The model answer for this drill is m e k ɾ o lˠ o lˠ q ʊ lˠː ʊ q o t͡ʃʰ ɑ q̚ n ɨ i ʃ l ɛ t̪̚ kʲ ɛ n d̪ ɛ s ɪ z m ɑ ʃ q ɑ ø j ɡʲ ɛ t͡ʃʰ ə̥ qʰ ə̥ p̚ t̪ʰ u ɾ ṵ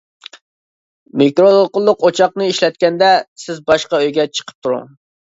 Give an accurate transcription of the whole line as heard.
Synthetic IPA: m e k ɾ o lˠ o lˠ q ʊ lˠː ʊ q o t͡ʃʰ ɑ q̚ n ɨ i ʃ l ɛ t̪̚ kʲ ɛ n d̪ ɛ s ɪ z b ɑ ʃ q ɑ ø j ɡʲ ɛ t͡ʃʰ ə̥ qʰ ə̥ p̚ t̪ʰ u ɾ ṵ